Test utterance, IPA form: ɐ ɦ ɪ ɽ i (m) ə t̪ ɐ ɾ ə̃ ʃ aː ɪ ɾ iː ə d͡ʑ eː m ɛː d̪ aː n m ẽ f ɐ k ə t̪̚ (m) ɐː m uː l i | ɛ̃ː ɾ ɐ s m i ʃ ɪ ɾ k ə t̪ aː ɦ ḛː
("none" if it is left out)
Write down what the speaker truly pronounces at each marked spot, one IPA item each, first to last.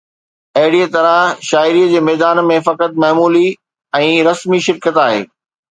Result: none, m

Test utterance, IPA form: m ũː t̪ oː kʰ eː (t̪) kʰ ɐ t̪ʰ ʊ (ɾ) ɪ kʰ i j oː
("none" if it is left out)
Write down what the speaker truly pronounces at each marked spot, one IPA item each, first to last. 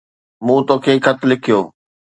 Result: none, l

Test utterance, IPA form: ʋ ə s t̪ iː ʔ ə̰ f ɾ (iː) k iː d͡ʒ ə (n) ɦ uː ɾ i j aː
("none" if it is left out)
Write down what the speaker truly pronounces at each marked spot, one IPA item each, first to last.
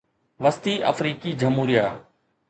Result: iː, m

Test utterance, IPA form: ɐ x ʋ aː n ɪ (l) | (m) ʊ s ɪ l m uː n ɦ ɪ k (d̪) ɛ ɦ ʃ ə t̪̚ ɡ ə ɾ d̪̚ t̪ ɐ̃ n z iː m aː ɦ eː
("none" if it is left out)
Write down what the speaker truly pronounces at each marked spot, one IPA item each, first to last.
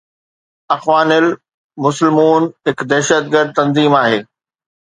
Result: l, m, d̪

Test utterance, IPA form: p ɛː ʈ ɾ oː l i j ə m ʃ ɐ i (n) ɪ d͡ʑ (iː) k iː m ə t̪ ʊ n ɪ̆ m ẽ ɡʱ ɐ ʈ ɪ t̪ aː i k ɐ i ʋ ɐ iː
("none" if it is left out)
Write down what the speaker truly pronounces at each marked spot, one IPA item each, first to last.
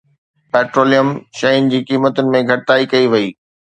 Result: n, iː

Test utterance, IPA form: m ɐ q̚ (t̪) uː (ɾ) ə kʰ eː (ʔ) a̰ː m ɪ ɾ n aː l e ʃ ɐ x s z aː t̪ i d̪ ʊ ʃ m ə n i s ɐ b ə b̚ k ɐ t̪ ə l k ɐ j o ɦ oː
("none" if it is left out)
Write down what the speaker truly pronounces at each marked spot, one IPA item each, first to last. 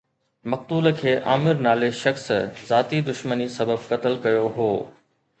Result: t̪, l, ʔ

